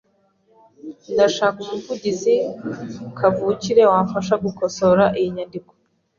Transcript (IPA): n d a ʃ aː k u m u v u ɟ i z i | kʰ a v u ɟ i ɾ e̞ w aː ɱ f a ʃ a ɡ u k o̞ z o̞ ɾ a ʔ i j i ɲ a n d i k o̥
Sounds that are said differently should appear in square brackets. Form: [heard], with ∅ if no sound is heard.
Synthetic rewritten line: n d a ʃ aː k u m u v u ɟ i z i | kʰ a v u [c] i ɾ e̞ w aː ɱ f a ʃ a ɡ u k o̞ [s] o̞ ɾ a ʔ i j i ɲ a n d i k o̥